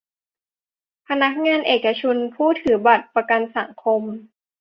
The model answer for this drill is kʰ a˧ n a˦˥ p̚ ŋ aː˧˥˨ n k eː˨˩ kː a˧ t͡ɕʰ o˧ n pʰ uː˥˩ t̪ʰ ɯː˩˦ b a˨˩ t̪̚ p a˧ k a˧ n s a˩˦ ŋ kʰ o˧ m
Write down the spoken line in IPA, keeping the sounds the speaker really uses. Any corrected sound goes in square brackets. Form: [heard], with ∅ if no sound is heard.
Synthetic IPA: [pʰ] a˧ n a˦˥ [k̚] ŋ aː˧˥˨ n [ʔ] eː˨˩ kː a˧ t͡ɕʰ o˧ n pʰ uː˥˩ t̪ʰ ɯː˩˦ b a˨˩ t̪̚ p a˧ k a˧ n s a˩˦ ŋ kʰ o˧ m